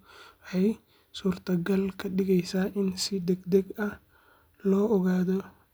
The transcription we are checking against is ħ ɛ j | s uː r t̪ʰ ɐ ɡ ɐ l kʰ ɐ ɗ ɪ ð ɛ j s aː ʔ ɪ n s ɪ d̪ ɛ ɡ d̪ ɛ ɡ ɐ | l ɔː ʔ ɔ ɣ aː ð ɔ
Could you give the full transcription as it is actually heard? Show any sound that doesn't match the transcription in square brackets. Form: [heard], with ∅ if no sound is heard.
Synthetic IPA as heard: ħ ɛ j | s uː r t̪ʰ ɐ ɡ ɐ l kʰ ɐ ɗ ɪ [ɣ] ɛ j s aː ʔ ɪ n s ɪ d̪ ɛ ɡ d̪ ɛ ɡ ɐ | l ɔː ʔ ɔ ɣ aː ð ɔ